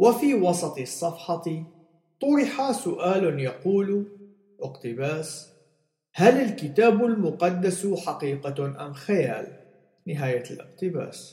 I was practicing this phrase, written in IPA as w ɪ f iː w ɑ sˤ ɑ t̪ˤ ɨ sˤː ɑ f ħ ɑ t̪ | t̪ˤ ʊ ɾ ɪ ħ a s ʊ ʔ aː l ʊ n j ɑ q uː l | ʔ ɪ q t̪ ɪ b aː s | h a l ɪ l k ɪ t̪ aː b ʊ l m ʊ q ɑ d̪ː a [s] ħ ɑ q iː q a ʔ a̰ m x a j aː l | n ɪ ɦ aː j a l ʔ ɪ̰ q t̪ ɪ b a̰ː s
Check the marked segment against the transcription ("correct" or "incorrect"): correct